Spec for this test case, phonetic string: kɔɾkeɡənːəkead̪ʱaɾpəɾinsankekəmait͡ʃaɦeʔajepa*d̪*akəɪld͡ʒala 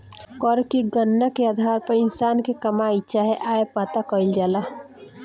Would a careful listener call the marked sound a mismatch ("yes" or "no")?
yes